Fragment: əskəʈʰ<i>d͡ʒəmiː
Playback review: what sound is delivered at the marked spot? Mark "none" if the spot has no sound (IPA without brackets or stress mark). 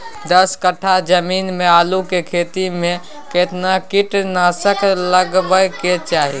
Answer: a